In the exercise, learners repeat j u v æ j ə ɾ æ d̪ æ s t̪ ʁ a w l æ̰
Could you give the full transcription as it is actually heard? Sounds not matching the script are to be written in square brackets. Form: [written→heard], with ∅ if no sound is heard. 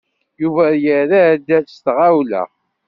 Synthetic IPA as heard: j u v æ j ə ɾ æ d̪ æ s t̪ ʁ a w l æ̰

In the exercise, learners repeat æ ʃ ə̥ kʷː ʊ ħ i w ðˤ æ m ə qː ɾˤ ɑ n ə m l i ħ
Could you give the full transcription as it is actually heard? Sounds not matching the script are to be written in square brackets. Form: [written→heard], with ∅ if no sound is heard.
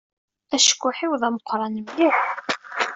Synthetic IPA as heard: æ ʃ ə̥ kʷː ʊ ħ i w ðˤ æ m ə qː ɾˤ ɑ n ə m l i ħ

